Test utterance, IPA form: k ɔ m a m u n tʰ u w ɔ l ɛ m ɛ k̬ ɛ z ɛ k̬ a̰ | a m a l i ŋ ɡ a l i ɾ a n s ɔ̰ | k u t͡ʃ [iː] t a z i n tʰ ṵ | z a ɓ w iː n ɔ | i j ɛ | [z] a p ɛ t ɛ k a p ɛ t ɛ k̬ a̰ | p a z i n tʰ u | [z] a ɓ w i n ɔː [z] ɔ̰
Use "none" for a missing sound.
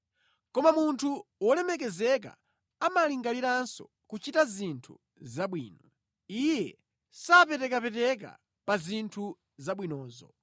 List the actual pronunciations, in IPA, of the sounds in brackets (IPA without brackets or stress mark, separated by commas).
i, s, z, z